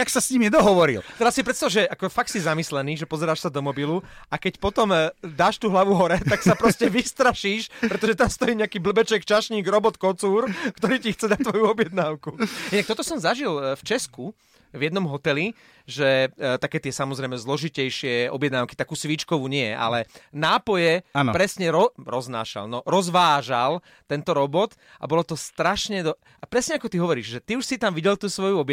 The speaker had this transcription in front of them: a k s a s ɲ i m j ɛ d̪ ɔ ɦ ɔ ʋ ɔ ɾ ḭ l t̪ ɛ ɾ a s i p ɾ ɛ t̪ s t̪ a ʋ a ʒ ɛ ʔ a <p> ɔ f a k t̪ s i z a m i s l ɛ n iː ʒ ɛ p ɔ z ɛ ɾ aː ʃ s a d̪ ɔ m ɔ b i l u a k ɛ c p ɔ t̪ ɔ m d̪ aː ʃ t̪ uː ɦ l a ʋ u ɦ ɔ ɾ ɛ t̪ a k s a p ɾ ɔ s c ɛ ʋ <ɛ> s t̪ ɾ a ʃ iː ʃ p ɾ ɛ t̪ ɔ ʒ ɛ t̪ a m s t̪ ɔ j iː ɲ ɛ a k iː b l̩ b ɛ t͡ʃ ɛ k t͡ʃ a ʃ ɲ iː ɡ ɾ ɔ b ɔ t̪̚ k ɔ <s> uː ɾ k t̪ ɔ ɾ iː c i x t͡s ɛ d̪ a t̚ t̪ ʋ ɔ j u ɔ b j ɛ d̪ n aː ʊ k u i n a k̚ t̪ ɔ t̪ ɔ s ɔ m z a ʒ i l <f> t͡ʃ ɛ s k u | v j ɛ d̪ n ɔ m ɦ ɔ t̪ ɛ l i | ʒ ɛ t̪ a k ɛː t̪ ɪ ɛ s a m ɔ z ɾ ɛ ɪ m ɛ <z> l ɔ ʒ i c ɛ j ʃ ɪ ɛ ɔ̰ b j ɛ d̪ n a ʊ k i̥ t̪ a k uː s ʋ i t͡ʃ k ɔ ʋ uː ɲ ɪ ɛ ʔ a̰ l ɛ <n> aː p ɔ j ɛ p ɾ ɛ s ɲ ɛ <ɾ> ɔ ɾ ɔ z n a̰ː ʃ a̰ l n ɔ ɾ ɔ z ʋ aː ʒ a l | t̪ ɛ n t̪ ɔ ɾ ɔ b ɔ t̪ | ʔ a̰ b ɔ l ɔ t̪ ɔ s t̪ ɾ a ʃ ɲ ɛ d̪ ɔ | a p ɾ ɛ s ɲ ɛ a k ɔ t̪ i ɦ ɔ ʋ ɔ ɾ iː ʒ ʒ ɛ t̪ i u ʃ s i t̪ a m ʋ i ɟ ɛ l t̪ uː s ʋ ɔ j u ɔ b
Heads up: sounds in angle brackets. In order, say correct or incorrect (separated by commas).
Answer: incorrect, incorrect, incorrect, correct, correct, correct, correct